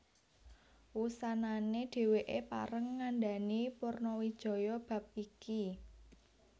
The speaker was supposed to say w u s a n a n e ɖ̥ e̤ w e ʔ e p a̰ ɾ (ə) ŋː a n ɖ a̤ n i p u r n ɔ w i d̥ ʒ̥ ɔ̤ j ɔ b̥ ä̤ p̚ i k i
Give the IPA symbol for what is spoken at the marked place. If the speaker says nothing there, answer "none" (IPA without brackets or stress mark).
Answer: ə